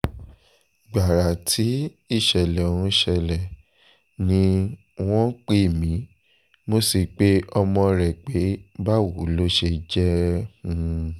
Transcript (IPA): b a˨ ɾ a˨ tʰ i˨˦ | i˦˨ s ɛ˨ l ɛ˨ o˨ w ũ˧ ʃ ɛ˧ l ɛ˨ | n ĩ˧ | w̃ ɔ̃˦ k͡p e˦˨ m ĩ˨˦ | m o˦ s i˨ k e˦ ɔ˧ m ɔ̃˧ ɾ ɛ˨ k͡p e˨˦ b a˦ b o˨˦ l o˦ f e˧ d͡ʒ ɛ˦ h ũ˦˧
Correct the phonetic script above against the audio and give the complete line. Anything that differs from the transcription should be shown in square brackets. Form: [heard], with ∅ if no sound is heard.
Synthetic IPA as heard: [ɡ͡b] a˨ ɾ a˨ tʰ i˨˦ | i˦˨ [ʃ] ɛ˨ l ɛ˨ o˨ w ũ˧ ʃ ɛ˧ l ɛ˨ | n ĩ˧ | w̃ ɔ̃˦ k͡p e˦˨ m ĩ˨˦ | m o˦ s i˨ [k͡p] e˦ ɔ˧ m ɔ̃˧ ɾ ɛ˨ k͡p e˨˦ b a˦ [w] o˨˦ l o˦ [ʃ] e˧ d͡ʒ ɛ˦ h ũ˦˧